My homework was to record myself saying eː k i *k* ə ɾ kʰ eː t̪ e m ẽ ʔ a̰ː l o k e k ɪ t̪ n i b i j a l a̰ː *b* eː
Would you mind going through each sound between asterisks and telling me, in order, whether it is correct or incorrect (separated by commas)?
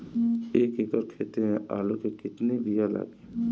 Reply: correct, incorrect